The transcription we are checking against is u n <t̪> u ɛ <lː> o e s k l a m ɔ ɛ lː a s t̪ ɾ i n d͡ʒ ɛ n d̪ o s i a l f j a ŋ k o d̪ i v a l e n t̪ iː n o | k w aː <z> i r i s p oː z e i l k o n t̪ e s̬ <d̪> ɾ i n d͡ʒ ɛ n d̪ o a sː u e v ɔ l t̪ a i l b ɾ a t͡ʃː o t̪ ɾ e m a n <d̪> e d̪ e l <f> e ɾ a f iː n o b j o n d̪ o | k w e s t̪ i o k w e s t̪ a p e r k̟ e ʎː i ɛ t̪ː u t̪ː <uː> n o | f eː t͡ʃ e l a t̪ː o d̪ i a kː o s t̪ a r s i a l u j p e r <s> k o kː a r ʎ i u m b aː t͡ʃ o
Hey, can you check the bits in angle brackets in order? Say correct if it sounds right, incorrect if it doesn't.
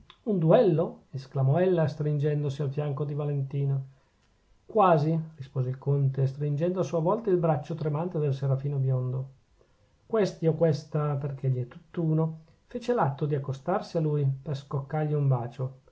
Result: incorrect: d̪, correct, correct, incorrect: t̪, incorrect: t̪, incorrect: s, correct, correct

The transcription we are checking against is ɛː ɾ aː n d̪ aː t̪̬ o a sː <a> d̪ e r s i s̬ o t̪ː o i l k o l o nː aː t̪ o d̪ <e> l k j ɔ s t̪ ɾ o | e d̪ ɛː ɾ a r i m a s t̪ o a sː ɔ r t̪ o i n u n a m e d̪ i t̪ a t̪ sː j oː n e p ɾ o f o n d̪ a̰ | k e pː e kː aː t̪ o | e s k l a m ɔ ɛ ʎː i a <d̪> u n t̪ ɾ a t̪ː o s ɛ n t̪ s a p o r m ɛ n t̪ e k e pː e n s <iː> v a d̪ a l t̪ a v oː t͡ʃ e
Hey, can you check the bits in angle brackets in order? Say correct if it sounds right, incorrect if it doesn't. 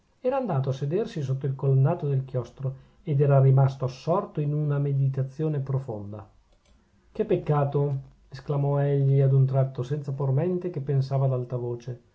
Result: incorrect: e, correct, correct, incorrect: aː

